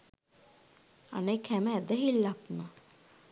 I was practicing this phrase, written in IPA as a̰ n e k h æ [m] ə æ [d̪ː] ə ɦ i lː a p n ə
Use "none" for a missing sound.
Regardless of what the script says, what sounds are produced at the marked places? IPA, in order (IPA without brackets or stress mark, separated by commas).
m, d̪